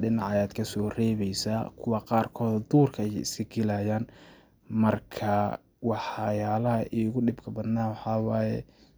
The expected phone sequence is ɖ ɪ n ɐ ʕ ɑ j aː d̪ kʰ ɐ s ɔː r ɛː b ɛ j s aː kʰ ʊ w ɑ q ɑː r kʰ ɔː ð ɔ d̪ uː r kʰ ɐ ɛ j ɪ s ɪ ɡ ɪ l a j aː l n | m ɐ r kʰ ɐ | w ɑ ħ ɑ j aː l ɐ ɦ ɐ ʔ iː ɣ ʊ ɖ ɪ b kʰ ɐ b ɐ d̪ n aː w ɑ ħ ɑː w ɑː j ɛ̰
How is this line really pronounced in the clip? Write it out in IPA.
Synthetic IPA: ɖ ɪ n ɑ ʕ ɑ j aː d̪ kʰ ɐ s ɔː r ɛː β ɛ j s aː kʰ ʊ w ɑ q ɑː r kʰ ɔː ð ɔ d̪ uː r kʰ ɐ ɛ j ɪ s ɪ ɡ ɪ l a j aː n | m ɐ r kʰ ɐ | w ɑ ħ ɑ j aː l ɐ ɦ ɐ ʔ iː ɣ ʊ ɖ ɪ b kʰ ɐ b ɐ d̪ n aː w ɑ ħ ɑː w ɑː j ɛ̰